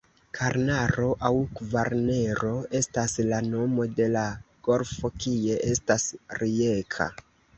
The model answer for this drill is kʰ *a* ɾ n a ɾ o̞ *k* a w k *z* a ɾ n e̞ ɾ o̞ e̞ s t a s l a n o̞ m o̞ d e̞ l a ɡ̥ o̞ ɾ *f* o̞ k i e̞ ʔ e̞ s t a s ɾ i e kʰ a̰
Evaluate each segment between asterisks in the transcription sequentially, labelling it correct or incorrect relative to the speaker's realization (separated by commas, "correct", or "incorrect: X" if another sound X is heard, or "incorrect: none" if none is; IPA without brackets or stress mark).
correct, incorrect: ʔ, incorrect: v, correct